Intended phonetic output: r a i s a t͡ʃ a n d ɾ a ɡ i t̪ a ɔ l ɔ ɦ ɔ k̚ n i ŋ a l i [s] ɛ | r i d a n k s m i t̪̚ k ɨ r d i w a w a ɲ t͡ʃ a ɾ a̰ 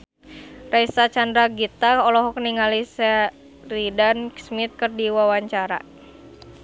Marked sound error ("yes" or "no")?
no